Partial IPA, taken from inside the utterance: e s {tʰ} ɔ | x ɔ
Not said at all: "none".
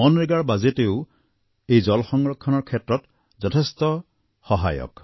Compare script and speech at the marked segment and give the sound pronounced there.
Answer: t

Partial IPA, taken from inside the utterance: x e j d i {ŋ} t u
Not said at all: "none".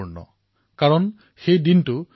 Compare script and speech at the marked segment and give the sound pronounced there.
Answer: n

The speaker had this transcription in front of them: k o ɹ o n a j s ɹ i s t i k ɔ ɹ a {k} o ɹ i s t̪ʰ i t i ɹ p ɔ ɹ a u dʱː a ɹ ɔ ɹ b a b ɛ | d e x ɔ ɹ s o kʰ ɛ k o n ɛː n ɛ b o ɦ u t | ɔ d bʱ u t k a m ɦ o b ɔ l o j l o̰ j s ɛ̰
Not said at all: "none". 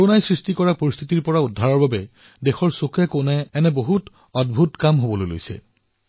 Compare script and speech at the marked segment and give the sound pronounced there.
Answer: p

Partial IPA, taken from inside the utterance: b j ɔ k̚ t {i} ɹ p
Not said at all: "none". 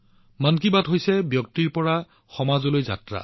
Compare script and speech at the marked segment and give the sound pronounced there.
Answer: i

